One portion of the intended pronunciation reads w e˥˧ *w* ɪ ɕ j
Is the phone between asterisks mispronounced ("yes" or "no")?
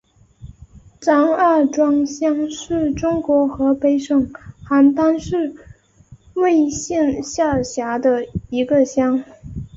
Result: yes